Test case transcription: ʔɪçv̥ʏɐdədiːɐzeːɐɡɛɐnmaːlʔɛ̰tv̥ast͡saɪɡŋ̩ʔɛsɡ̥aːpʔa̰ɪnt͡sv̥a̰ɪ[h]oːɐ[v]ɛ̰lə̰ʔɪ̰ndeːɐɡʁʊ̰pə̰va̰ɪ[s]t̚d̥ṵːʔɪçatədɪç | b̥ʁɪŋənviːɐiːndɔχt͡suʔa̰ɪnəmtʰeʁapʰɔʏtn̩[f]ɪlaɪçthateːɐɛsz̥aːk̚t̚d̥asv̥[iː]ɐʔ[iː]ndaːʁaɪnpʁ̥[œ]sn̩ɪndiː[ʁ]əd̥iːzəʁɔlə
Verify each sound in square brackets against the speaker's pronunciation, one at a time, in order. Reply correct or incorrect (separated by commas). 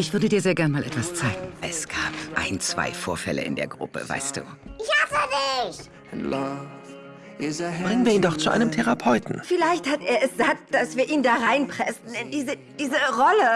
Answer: incorrect, incorrect, correct, correct, correct, correct, incorrect, incorrect